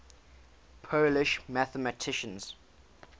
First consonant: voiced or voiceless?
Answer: voiceless